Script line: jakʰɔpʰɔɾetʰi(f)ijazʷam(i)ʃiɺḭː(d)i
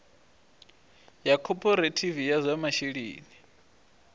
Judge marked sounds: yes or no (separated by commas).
no, no, no